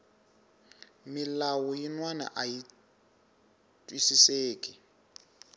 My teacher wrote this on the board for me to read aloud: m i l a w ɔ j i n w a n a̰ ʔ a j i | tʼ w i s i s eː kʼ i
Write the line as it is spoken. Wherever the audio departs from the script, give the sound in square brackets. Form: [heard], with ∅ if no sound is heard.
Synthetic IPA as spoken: m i l a w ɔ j i n w a n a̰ ʔ a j i | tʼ w i s i s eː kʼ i